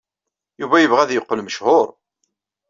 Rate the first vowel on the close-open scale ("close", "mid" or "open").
close